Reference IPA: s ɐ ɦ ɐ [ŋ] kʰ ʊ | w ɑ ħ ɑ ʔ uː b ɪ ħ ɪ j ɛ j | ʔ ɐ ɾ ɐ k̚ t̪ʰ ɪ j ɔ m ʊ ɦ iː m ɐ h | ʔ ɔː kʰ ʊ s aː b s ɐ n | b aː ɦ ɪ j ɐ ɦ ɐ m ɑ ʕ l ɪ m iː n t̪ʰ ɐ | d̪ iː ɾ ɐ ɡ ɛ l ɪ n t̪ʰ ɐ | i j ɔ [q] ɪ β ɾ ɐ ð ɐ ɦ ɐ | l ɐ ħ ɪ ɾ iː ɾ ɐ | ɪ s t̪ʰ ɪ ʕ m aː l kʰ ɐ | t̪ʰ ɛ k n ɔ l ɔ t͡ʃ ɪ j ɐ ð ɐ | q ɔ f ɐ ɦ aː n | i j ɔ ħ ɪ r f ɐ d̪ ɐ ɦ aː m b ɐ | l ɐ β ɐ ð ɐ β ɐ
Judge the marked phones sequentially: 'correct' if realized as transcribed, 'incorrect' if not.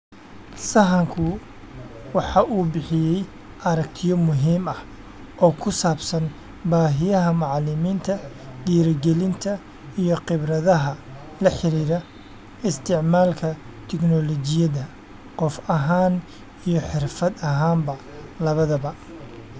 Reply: correct, correct

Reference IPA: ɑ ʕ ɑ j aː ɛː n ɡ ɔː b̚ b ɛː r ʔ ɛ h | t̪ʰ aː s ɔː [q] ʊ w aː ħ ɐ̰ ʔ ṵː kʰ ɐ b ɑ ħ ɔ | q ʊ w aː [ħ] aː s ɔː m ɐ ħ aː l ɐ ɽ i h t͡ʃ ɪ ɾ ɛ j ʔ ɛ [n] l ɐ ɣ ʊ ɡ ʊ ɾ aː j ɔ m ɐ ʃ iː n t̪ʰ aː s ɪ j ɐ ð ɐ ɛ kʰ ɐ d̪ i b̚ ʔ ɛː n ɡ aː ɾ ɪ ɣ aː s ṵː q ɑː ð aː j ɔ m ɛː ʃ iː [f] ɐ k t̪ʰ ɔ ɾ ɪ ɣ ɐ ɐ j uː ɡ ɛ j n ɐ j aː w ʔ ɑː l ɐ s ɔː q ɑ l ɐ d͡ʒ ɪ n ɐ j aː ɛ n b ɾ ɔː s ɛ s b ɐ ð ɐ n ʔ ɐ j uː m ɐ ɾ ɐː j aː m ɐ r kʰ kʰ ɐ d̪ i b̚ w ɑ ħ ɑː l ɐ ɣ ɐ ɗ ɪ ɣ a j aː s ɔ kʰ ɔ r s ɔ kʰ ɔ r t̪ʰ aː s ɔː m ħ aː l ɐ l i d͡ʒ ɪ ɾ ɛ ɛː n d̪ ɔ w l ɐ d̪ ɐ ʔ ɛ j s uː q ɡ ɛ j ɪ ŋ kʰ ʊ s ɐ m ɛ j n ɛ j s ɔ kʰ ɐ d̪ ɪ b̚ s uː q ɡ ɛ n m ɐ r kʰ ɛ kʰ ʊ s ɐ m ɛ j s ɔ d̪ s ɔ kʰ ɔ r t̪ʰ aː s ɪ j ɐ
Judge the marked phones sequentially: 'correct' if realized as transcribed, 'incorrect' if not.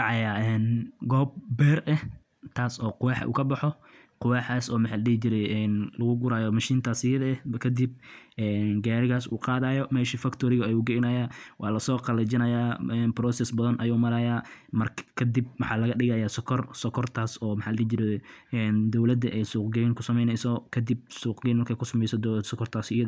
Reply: correct, correct, correct, correct

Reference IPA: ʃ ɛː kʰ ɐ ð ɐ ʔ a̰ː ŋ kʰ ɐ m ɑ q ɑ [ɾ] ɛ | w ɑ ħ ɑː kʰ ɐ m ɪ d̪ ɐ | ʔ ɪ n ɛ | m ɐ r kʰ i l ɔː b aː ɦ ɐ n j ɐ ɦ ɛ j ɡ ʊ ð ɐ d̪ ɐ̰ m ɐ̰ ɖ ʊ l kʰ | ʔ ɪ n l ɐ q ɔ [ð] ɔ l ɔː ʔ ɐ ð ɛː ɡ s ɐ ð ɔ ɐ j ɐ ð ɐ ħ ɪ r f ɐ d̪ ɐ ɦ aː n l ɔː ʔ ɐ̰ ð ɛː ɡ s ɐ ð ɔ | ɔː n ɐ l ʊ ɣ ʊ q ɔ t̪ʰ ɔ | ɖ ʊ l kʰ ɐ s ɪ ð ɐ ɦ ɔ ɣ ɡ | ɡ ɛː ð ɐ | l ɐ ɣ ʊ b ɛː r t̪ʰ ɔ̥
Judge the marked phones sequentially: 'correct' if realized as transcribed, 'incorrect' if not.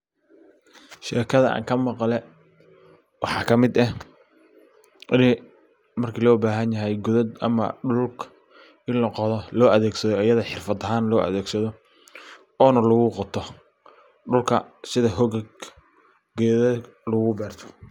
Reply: incorrect, correct

